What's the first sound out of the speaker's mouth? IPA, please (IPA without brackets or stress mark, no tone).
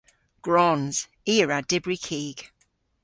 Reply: ɡ̥